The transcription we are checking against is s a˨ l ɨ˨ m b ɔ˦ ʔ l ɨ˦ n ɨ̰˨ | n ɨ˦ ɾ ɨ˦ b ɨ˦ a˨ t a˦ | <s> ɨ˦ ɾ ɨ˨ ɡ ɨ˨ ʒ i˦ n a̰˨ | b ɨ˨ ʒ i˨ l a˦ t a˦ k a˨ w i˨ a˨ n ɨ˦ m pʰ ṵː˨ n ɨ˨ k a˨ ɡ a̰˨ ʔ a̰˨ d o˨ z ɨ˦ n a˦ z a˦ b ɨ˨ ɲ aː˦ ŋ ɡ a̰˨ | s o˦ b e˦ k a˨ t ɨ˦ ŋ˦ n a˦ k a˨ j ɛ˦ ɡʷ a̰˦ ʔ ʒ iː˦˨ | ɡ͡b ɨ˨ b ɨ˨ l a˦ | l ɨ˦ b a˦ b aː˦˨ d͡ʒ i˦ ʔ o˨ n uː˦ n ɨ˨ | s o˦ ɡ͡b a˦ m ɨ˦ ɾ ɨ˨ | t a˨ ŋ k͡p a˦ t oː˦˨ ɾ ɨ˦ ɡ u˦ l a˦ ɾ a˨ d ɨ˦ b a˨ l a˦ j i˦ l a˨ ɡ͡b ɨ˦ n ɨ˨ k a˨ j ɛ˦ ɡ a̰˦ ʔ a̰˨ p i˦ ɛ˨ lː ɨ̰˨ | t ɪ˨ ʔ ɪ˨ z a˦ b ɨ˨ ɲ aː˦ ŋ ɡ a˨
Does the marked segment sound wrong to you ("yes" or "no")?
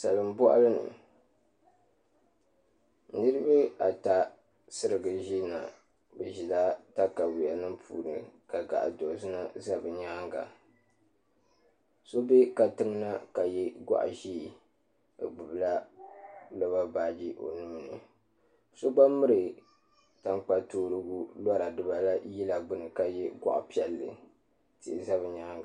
no